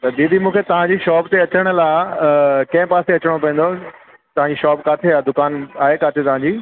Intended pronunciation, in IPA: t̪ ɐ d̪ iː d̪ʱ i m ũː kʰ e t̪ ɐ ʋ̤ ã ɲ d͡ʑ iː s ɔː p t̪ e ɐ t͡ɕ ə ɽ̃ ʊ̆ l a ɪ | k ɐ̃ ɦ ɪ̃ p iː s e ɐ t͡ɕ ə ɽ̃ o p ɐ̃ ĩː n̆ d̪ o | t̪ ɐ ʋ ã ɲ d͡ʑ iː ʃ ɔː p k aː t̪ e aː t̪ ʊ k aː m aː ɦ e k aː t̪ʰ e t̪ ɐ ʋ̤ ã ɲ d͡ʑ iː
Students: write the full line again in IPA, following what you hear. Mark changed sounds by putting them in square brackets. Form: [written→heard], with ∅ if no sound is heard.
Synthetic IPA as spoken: t̪ ɐ d̪ iː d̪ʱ i m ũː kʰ e t̪ ɐ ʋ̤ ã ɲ d͡ʑ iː [s→ʃ] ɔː p t̪ e ɐ t͡ɕ ə ɽ̃ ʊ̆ l a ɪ | k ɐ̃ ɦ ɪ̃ p [iː→aː] s e ɐ t͡ɕ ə ɽ̃ o p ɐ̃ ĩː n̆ d̪ o | t̪ ɐ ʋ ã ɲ d͡ʑ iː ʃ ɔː p k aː [t̪→t̪ʰ] e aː [t̪→d̪] ʊ k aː [m→n] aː ɦ e k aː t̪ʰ e t̪ ɐ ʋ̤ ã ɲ d͡ʑ iː